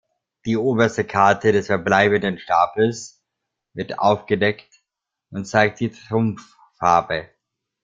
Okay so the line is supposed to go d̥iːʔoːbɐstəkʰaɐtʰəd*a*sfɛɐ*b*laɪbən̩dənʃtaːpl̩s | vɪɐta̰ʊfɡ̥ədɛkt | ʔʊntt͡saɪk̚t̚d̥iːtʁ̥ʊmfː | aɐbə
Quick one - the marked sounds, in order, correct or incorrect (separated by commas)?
incorrect, correct